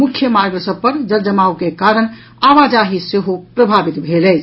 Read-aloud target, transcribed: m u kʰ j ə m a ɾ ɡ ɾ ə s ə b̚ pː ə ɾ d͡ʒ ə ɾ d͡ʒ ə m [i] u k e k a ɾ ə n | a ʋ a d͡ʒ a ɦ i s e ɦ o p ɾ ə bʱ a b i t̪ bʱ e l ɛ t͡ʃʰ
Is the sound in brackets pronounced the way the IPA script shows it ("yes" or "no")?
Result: no